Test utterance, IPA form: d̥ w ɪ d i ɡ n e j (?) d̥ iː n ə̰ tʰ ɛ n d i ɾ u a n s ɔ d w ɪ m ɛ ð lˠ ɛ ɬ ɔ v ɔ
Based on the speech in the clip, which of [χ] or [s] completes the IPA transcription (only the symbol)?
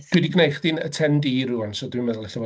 χ